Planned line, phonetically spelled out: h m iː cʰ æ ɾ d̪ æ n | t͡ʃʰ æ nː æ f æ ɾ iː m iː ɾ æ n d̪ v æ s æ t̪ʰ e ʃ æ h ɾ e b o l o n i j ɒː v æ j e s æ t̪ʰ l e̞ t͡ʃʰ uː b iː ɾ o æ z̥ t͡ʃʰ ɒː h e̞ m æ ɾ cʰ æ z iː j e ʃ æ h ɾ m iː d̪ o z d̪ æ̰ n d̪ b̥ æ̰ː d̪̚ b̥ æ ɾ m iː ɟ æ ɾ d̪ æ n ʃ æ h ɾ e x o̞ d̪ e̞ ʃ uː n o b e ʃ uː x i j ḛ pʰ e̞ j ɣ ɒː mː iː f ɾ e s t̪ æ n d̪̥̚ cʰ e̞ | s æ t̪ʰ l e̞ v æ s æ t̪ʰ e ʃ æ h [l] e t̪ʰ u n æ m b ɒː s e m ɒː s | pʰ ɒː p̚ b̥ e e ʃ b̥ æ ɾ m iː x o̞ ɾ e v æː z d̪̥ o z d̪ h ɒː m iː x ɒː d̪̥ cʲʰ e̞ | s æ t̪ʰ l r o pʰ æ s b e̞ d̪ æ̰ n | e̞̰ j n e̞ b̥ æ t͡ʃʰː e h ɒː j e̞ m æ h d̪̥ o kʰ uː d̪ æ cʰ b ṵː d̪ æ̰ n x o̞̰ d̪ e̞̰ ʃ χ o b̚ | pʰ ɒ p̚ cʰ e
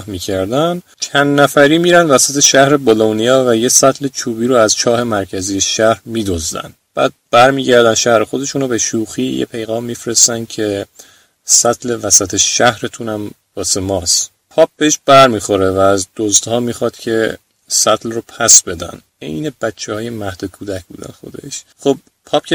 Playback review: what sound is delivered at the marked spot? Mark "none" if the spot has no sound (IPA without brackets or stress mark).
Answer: ɾ